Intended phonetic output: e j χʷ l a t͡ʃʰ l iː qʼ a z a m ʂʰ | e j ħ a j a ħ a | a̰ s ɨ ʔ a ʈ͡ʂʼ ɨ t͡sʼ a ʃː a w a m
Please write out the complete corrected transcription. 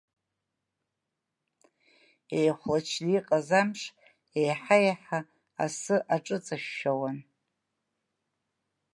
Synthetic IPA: e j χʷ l a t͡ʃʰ l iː qʼ a z a m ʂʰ | e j ħ a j a ħ a | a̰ s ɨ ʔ a ʈ͡ʂʼ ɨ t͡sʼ a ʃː a w a n